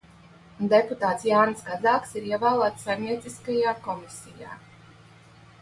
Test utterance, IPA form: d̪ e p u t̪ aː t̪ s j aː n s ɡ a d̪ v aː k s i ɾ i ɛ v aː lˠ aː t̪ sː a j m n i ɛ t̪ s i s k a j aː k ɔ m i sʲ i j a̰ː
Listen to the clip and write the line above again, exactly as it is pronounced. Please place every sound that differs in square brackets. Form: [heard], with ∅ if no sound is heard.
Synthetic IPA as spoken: d̪ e p u t̪ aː t̪ s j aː n s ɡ a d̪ [z] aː k s i ɾ i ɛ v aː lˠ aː t̪ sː a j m n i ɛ t̪ s i s k a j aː k ɔ m i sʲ i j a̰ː